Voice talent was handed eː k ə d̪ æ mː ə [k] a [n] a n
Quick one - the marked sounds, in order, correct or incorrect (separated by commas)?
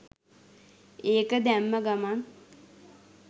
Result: incorrect, incorrect